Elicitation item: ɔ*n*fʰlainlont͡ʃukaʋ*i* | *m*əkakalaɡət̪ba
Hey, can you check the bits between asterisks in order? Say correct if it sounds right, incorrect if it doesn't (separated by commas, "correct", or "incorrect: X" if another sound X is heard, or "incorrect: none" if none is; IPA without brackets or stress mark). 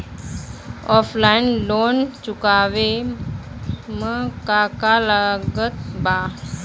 incorrect: none, incorrect: e, correct